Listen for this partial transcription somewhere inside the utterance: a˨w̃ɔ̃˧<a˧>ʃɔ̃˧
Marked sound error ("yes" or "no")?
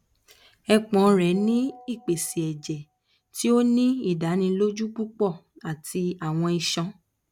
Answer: yes